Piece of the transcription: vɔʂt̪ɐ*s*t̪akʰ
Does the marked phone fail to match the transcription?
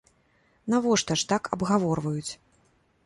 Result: yes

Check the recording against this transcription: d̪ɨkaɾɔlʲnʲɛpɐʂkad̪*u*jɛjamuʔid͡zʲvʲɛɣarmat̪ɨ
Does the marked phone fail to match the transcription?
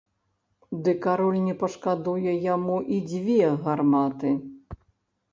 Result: no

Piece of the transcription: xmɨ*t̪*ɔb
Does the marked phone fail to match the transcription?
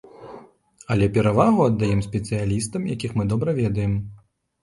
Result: yes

